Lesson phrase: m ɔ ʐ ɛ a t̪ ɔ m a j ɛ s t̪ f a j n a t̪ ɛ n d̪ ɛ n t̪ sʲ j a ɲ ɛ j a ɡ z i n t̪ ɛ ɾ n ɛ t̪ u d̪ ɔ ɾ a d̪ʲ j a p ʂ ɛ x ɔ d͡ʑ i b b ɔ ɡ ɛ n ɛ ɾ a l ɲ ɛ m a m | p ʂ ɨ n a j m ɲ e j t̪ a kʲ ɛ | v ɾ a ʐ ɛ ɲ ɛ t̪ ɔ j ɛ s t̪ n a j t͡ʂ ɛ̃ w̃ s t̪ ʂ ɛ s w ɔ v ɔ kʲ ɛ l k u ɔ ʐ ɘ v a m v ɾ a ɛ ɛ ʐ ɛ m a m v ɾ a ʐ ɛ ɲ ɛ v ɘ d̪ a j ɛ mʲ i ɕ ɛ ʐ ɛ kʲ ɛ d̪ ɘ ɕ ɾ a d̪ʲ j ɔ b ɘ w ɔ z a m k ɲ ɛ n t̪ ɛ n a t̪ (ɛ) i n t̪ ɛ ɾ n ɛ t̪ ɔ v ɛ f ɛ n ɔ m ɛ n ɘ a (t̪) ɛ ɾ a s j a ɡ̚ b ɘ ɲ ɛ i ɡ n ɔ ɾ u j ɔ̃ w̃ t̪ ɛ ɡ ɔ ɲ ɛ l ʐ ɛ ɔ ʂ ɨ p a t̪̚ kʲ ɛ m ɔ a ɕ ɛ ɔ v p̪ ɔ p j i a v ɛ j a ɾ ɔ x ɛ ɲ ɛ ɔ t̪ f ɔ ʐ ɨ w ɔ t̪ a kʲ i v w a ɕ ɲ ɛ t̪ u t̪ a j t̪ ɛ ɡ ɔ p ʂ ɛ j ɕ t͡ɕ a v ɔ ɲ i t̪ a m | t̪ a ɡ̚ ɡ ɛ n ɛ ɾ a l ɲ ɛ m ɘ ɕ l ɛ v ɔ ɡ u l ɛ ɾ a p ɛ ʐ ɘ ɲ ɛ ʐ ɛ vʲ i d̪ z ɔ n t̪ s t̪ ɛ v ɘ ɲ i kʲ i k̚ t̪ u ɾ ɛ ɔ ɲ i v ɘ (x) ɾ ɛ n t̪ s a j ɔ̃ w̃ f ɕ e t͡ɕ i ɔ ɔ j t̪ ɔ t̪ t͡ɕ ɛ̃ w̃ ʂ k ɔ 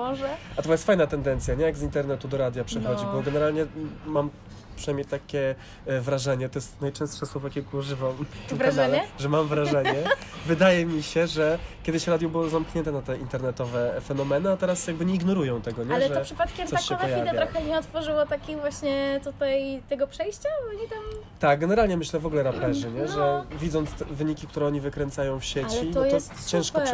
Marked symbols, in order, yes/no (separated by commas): yes, yes, no